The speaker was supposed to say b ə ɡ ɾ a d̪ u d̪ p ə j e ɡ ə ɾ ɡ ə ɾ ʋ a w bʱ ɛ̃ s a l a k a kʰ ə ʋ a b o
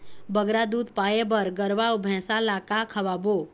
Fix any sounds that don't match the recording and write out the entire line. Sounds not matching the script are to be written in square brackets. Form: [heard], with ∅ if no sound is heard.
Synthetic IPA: b ə ɡ ɾ a d̪ u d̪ p [a] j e [b] ə ɾ ɡ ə ɾ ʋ a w bʱ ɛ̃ s a l a k a kʰ ə ʋ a b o